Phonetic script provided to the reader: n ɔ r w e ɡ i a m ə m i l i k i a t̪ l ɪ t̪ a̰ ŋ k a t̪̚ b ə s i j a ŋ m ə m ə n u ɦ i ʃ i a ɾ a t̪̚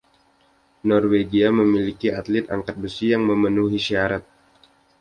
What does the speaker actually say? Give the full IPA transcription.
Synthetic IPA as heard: n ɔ r w e ɡ i a m ə m i l i k i a t̪ l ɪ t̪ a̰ ŋ k a t̪̚ b ə s i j a ŋ m ə m ə n u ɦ i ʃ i a ɾ a t̪̚